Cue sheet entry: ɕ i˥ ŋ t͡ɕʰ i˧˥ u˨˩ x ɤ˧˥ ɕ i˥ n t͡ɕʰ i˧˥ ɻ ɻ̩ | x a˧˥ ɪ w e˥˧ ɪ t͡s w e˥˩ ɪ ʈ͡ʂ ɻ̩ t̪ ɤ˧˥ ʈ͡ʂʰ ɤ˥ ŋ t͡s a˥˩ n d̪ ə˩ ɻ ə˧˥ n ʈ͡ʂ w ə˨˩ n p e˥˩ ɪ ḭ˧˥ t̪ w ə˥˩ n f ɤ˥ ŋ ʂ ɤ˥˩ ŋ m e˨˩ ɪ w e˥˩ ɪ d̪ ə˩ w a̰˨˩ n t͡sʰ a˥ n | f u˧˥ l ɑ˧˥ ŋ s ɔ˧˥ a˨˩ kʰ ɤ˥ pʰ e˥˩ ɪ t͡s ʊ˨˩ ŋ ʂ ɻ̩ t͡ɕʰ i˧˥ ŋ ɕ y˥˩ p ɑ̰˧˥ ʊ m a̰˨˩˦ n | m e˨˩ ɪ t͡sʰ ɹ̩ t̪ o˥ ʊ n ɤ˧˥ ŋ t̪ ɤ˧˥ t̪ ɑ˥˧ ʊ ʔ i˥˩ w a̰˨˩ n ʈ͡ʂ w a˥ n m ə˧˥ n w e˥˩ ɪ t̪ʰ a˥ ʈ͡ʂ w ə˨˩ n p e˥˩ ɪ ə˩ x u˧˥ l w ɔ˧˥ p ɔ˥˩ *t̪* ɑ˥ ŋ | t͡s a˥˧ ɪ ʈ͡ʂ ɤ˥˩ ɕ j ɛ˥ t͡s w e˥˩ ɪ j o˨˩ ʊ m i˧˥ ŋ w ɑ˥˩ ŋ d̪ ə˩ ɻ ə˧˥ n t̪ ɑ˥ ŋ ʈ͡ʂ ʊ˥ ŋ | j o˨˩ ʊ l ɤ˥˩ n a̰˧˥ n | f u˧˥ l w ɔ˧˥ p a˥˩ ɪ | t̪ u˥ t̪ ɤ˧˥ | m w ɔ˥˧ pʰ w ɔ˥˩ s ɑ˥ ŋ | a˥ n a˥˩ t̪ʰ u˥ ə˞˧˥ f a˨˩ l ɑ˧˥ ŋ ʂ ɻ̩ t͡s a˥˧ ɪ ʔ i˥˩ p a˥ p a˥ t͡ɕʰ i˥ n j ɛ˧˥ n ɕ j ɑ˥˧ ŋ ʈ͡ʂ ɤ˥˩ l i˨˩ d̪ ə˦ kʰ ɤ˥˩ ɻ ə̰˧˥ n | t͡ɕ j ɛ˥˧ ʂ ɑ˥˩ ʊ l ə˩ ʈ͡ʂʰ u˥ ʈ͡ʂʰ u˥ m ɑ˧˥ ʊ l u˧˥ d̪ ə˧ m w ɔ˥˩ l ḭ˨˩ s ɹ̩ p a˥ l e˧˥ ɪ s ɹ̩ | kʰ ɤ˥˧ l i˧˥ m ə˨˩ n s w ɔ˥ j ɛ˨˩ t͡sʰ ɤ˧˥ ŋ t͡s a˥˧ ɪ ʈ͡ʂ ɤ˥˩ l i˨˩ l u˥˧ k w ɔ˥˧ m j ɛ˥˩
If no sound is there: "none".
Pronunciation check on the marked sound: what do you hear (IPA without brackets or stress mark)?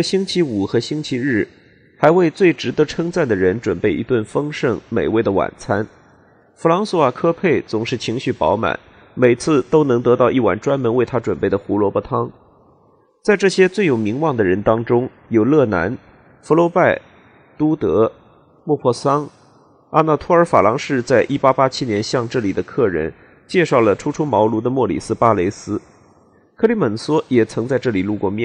t̪ʰ